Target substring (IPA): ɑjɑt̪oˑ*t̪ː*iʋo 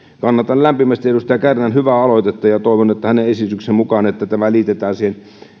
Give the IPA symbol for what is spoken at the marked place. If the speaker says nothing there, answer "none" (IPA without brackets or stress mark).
none